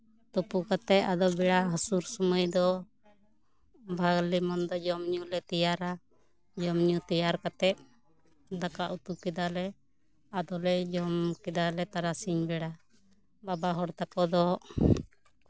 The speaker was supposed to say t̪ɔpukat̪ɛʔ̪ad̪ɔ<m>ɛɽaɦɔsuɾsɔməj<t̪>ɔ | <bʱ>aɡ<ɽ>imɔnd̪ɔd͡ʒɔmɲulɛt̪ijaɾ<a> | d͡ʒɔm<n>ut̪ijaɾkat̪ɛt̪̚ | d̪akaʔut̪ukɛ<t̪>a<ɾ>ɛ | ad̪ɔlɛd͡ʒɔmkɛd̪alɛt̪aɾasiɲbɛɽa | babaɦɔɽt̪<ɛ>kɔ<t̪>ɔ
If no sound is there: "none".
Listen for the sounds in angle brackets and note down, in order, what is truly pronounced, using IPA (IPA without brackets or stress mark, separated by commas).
b, d̪, bʱ, l, a, ɲ, d̪, l, a, d̪